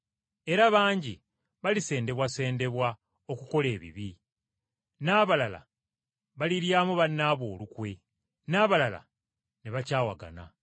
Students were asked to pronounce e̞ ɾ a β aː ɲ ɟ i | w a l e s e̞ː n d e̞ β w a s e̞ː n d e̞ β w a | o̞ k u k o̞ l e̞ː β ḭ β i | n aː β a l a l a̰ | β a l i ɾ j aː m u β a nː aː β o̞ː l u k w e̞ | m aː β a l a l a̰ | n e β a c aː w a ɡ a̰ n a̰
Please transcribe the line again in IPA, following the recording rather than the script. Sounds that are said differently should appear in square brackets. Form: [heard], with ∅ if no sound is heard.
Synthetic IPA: e̞ ɾ a β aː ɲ ɟ i | [β] a l [i] s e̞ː n d e̞ β w a s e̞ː n d e̞ β w a | o̞ k u k o̞ l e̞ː β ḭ β i | n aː β a l a l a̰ | β a l i ɾ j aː m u β a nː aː β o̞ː l u k w e̞ | [n] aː β a l a l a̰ | n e β a c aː w a ɡ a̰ n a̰